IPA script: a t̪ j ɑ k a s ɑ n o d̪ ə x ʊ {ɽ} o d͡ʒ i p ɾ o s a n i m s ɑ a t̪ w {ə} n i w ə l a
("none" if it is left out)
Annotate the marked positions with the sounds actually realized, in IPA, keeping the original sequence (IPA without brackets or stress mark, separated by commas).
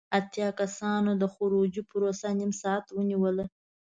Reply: ɾ, ə